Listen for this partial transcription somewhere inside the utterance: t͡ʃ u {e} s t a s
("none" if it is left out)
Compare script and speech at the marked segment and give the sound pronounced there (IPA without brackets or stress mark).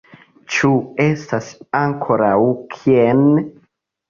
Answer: e